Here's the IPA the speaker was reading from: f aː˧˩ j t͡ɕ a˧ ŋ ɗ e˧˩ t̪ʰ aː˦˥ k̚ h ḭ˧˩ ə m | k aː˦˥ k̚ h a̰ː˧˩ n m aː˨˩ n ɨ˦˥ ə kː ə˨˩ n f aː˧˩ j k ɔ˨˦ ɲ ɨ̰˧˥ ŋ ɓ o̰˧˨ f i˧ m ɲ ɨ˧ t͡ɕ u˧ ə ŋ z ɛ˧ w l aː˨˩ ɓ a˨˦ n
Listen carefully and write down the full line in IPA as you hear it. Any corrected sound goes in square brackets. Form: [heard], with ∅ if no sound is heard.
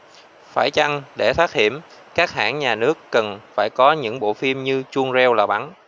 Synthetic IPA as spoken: f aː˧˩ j t͡ɕ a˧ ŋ ɗ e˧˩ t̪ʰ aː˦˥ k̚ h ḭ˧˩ ə m | k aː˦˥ k̚ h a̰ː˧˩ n [ɲ] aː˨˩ n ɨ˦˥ ə kː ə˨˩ n f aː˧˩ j k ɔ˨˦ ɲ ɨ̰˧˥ ŋ ɓ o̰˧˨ f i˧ m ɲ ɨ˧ t͡ɕ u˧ ə ŋ z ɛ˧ w l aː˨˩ ɓ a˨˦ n